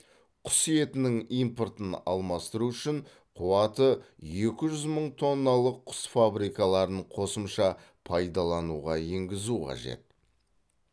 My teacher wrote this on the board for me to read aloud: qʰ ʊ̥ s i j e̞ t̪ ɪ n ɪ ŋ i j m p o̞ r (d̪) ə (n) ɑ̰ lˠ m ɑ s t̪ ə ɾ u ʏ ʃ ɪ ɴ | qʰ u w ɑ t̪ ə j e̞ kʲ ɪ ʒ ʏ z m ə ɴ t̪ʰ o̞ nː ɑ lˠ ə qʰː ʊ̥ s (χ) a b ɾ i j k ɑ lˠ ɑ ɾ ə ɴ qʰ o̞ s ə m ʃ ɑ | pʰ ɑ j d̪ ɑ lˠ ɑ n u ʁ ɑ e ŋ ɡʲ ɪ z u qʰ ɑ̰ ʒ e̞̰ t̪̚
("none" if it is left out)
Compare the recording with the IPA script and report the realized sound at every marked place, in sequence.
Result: t̪, n, f

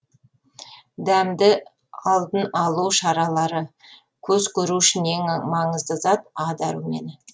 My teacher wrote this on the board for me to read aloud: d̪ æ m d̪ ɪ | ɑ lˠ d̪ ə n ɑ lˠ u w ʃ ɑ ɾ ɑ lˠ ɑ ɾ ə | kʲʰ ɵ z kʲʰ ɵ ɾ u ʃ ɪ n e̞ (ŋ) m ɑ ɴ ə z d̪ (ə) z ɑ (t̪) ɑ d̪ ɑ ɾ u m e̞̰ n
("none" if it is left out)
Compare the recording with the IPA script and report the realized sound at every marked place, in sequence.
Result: ŋ, ə, t̪

